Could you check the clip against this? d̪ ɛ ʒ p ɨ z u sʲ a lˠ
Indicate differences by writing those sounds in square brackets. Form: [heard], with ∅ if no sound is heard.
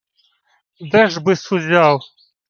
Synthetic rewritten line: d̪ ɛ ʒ [b] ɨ [s] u [zʲ] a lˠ

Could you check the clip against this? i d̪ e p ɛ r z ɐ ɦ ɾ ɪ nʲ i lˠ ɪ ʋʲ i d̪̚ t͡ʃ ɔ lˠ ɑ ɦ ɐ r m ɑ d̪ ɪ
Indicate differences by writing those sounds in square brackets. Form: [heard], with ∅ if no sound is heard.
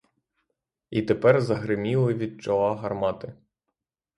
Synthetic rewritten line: i [t̪] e p ɛ r z ɐ ɦ ɾ ɪ [mʲ] i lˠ ɪ ʋʲ i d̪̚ t͡ʃ ɔ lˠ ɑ ɦ ɐ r m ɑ [t̪] ɪ

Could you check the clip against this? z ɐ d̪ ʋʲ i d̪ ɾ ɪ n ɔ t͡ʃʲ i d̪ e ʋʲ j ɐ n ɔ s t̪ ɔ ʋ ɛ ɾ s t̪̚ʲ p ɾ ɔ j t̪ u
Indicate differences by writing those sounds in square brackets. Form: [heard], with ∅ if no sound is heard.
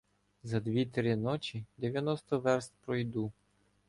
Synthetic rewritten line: z ɐ d̪ ʋʲ i [t̪] ɾ ɪ n ɔ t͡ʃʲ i d̪ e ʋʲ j ɐ n ɔ s t̪ ɔ ʋ ɛ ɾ s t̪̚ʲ p ɾ ɔ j [d̪] u

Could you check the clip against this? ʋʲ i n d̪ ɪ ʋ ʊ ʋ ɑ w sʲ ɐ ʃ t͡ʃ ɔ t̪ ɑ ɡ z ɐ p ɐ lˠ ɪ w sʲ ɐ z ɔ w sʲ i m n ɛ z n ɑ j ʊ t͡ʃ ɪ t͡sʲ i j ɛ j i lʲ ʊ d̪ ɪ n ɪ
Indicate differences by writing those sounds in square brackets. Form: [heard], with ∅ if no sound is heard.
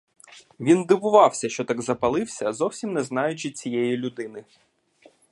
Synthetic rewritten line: ʋʲ i n d̪ ɪ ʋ ʊ ʋ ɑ w sʲ ɐ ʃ t͡ʃ ɔ t̪ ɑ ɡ z ɐ p ɐ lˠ ɪ w sʲ ɐ z ɔ w sʲ i m n ɛ z n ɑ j ʊ t͡ʃ ɪ t͡sʲ i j ɛ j i lʲ ʊ d̪ ɪ n ɪ

